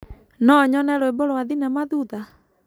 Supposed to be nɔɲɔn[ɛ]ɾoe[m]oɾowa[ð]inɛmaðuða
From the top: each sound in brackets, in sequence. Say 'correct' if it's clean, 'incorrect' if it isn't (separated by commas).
correct, incorrect, correct